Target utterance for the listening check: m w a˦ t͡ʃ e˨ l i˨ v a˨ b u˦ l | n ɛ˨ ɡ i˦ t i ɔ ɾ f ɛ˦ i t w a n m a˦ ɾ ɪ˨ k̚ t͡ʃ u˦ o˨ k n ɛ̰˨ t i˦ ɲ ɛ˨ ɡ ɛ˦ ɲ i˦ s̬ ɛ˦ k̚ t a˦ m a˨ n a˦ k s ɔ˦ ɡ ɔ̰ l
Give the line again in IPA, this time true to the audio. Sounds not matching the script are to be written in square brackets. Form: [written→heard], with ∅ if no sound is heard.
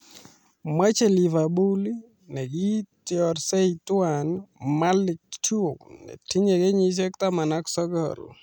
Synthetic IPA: m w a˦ t͡ʃ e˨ l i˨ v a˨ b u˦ l | n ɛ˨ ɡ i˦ t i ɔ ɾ [f→s] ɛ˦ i t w a n m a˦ [ɾ→l] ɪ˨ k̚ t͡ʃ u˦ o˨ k n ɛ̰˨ t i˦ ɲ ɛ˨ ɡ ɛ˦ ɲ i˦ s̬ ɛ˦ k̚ t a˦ m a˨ n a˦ k s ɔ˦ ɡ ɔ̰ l